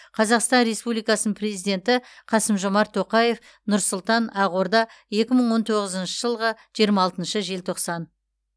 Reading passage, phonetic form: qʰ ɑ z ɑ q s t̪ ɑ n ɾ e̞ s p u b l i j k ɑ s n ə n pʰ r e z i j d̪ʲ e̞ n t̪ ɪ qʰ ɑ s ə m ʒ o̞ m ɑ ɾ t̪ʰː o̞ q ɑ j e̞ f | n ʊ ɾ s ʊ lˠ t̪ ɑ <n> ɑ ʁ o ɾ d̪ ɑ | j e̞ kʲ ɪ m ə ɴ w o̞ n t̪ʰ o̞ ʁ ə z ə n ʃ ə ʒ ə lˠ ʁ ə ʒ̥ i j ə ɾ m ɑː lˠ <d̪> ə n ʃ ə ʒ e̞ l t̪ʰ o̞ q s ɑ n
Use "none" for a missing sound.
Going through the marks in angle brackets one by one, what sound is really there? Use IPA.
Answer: n, t̪

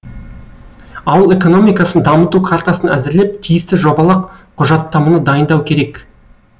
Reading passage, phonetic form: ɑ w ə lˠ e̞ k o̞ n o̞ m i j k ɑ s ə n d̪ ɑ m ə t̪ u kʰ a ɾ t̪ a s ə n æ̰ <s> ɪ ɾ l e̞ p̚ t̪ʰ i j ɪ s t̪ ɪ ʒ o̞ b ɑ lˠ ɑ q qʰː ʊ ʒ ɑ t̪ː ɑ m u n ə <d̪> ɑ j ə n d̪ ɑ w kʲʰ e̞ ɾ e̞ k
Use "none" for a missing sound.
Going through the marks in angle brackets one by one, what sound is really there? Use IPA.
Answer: z, d̪

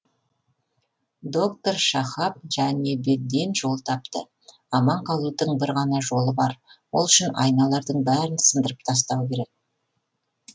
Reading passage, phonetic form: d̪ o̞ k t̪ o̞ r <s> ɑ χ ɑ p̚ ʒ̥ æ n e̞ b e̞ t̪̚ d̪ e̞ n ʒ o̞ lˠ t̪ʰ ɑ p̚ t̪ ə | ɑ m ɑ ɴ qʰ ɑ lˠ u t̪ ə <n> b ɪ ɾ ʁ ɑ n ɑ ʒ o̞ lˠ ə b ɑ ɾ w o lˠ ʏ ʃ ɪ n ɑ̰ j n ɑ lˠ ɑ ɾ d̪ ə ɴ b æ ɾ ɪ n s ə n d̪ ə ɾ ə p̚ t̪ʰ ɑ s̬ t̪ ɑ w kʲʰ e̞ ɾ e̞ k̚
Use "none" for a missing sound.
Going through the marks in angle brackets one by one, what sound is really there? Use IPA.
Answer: ʃ, ɴ

